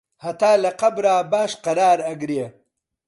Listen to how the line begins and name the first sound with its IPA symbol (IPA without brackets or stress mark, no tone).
h